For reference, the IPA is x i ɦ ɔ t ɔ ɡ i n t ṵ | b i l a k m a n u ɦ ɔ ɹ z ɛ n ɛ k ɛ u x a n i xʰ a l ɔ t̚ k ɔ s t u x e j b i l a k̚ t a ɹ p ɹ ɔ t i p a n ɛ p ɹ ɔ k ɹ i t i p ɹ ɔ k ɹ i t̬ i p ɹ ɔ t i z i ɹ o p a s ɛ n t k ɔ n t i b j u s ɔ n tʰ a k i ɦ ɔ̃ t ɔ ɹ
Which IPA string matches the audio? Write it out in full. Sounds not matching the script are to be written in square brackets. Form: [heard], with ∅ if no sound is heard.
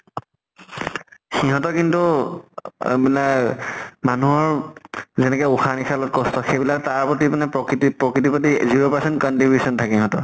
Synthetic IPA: x i ɦ ɔ t ɔ [k] i n t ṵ | b i l a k m a n u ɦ ɔ ɹ z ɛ n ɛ k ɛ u x a n i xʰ a l ɔ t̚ k ɔ s t [ɔ] x e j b i l a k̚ t a ɹ p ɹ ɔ t i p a n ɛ p ɹ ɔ k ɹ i t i p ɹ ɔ k ɹ i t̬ i p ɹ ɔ t i z i ɹ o p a s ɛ n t k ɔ n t i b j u s ɔ n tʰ a k i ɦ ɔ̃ t ɔ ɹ